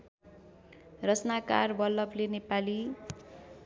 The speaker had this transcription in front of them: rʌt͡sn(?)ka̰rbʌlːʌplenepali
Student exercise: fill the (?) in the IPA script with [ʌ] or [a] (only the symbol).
a